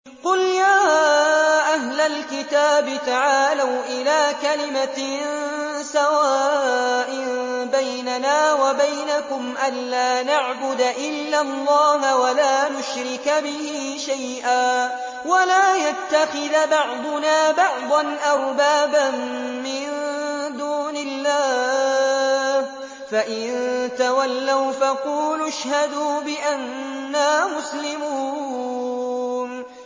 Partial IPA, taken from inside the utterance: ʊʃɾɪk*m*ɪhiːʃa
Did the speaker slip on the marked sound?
yes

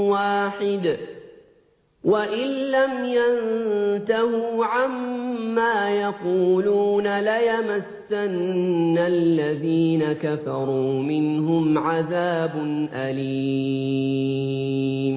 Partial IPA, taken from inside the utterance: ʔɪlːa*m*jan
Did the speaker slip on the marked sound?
no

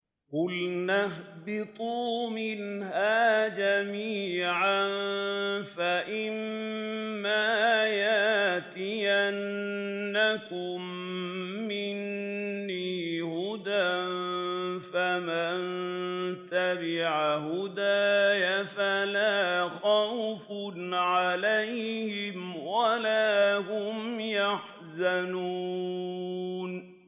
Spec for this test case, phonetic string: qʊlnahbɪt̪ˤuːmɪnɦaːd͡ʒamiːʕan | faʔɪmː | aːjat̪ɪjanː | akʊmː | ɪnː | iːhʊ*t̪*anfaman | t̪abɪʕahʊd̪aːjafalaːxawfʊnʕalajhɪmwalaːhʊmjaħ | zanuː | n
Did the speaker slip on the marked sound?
yes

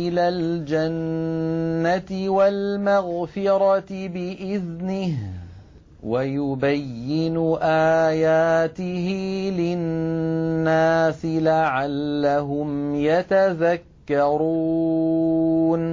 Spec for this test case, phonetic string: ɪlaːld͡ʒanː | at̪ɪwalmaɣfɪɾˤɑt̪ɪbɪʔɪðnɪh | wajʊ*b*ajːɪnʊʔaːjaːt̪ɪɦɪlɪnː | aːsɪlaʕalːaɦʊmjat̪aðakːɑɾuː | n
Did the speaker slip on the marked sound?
no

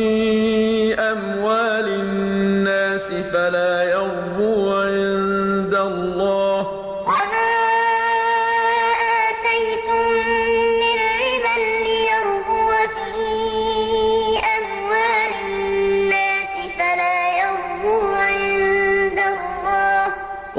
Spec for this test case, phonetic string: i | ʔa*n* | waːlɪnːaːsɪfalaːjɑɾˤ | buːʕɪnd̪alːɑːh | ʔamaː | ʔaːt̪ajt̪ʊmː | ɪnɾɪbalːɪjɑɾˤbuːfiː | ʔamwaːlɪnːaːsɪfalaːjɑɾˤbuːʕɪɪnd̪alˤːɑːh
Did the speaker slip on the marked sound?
yes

